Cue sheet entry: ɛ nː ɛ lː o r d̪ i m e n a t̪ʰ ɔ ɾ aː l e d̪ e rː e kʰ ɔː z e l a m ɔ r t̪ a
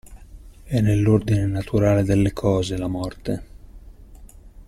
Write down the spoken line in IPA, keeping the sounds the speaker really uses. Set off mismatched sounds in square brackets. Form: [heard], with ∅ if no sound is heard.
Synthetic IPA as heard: ɛ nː [e] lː o r d̪ i [n] e n a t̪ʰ [u] ɾ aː l e d̪ e [lː] e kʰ ɔː z e l a m ɔ r t̪ [e]